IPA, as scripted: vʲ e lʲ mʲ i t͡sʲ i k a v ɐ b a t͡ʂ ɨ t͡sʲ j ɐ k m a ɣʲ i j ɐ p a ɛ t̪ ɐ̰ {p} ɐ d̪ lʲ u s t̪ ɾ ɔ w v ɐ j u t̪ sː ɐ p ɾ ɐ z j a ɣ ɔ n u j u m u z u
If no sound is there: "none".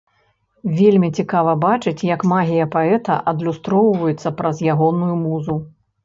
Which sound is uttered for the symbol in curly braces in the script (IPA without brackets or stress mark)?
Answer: ʔ